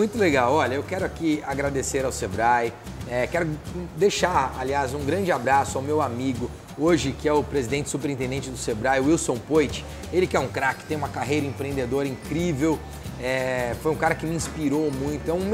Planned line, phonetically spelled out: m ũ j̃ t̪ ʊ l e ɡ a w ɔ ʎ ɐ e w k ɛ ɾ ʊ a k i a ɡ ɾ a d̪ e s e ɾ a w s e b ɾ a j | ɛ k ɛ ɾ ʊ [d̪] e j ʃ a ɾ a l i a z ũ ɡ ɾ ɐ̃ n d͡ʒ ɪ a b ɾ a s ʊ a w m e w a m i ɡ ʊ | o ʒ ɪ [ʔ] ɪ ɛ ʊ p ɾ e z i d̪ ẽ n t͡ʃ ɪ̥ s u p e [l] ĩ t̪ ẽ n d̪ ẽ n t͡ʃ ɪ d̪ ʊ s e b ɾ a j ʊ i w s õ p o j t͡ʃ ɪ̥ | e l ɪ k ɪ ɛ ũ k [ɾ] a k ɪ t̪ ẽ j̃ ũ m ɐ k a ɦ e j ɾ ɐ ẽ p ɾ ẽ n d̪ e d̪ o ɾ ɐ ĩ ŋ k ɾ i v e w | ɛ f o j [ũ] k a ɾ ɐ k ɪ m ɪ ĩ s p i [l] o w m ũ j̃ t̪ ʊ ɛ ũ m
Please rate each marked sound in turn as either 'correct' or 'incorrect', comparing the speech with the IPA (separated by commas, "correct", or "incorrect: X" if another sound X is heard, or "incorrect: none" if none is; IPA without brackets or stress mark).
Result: correct, incorrect: k, incorrect: ɾ, correct, correct, incorrect: ɾ